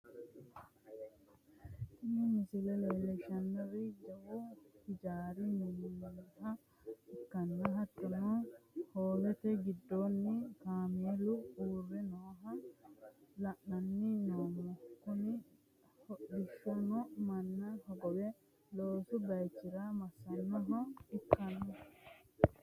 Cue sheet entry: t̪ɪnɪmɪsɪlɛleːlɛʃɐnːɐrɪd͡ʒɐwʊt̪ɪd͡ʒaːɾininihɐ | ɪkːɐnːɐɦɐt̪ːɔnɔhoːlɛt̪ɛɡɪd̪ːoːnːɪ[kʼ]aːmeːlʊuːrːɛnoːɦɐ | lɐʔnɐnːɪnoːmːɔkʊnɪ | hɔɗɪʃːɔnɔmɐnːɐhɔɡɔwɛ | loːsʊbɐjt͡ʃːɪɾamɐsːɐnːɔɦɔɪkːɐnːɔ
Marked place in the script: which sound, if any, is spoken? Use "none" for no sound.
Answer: k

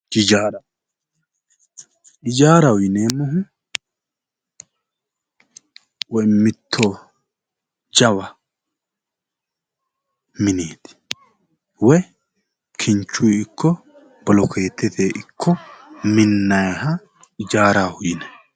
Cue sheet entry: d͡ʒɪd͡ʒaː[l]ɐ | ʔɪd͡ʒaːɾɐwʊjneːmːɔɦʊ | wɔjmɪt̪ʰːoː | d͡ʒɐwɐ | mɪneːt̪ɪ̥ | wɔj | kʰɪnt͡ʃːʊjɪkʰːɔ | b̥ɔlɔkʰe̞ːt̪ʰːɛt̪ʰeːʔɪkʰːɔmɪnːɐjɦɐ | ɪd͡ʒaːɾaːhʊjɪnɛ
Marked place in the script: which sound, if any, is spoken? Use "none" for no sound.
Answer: ɾ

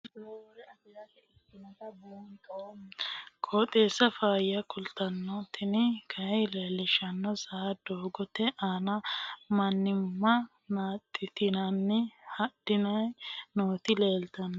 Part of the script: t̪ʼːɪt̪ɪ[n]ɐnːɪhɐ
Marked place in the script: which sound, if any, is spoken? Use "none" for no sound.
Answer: n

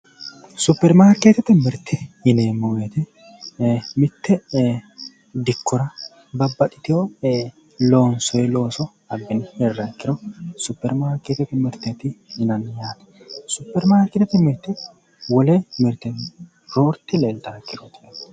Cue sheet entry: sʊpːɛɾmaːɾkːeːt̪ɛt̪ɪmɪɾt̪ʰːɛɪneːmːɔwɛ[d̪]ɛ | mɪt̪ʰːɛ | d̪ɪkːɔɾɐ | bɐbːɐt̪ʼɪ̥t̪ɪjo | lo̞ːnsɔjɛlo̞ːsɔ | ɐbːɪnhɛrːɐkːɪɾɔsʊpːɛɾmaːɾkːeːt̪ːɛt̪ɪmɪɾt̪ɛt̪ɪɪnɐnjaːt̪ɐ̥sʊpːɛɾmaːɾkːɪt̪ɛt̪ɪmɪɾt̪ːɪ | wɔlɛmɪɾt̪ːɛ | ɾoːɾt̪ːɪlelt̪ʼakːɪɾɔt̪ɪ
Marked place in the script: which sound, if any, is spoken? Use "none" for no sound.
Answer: t̪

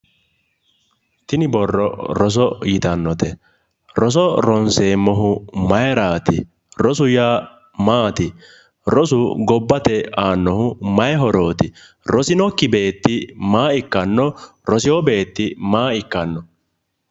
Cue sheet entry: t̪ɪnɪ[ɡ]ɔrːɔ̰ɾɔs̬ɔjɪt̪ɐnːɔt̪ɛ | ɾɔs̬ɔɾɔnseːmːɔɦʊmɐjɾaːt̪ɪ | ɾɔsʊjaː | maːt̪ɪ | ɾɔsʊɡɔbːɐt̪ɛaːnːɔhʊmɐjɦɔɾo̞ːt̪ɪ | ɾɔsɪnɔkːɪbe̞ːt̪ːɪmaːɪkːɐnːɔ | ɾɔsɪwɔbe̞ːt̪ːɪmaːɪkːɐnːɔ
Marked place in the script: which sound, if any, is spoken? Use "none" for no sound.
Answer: b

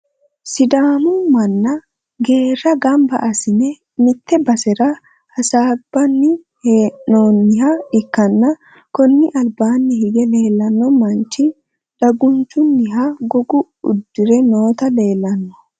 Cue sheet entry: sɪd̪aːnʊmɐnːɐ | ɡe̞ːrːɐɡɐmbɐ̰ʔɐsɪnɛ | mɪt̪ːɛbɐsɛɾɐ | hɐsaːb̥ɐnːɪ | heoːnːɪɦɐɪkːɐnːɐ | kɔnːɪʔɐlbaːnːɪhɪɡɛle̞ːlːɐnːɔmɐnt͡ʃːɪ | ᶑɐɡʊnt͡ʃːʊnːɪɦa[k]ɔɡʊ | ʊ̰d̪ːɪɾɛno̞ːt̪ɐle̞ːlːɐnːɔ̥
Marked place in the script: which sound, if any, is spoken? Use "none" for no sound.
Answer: ɡ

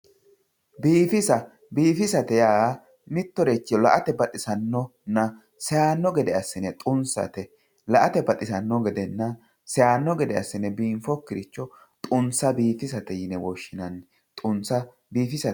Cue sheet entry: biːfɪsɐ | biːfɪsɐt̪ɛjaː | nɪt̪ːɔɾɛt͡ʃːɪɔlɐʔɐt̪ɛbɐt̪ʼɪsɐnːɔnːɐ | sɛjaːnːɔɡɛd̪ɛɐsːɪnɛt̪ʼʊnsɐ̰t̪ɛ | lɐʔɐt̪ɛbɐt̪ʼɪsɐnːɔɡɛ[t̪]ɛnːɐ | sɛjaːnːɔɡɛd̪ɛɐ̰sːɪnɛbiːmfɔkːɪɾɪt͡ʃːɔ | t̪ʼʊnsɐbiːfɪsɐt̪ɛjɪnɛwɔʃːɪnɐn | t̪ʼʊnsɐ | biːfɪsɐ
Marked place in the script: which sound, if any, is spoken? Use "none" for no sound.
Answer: d̪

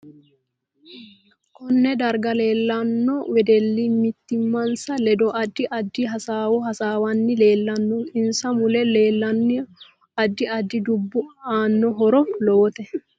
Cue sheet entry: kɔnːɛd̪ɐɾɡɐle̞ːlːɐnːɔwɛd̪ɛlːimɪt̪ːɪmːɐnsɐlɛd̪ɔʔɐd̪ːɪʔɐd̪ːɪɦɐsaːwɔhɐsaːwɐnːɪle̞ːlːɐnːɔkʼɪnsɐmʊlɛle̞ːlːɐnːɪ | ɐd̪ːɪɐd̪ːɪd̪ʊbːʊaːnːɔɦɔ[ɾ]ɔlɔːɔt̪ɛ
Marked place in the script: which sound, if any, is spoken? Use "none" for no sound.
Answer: ɾ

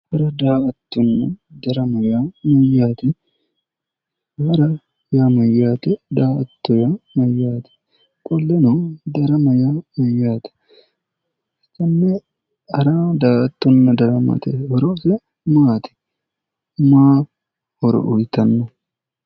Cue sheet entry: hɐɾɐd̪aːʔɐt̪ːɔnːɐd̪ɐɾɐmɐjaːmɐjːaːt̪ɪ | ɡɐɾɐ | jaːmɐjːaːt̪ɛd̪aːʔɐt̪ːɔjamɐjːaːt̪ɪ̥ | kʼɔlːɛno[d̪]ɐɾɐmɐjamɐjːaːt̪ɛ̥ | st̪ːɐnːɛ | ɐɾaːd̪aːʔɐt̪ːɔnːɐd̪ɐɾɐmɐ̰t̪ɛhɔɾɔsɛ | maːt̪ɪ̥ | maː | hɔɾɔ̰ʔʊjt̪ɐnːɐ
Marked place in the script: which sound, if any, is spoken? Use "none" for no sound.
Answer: d̪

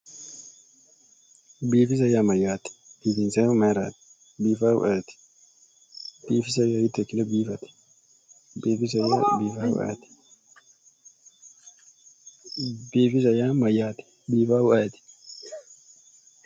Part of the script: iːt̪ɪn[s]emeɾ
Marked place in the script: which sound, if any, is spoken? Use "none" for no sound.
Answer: s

